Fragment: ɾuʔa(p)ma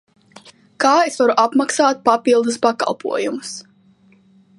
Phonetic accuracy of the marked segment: correct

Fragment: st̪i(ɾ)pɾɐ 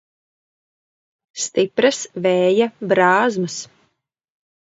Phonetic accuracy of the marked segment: incorrect: none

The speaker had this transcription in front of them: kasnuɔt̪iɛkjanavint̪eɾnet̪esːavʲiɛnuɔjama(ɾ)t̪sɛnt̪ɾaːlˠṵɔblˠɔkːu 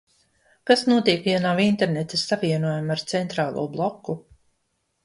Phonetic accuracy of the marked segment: correct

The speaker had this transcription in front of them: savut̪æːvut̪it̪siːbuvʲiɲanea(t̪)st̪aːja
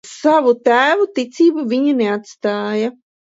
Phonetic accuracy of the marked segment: correct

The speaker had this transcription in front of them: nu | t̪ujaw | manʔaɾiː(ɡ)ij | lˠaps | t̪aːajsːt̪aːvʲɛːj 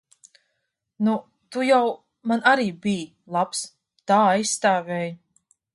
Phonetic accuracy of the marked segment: incorrect: b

